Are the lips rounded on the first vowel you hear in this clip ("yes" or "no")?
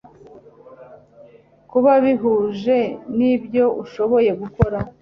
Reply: yes